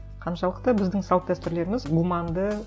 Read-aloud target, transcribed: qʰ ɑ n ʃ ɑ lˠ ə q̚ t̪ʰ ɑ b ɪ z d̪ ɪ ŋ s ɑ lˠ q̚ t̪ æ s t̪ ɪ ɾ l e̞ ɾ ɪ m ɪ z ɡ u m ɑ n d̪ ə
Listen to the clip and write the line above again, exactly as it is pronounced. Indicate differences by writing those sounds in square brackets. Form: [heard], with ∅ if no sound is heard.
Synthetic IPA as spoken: qʰ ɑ n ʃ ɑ lˠ ə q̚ [t̪] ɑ b ɪ z d̪ ɪ ŋ s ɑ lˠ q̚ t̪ æ s t̪ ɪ ɾ l e̞ ɾ ɪ m ɪ z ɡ u m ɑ n d̪ ə